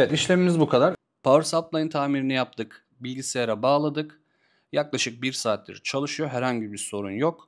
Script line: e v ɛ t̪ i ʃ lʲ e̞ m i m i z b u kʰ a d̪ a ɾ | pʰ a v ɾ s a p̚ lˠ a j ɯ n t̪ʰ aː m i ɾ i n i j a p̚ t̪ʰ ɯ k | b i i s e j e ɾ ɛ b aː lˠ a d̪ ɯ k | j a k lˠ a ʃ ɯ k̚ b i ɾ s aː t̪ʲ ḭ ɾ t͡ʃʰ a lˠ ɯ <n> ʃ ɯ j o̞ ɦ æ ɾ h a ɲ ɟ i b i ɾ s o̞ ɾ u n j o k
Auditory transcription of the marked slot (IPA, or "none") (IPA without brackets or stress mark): none